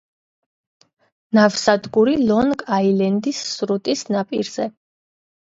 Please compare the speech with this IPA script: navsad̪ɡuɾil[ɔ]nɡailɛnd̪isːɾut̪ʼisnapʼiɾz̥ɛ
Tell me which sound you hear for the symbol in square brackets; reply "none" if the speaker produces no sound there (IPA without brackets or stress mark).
ɔ